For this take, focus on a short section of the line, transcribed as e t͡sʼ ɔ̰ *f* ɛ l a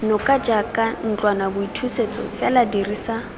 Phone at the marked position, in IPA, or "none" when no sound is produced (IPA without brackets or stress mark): f